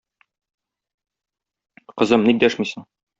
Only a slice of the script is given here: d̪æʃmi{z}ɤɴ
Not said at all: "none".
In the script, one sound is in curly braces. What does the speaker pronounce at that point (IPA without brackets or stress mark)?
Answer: s